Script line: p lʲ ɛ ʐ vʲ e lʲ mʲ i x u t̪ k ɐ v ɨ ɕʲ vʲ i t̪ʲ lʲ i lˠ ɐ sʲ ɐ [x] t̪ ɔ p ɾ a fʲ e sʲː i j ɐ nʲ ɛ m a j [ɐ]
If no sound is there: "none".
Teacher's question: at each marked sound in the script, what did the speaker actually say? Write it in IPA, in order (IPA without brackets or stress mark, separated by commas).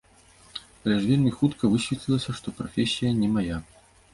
ʂ, a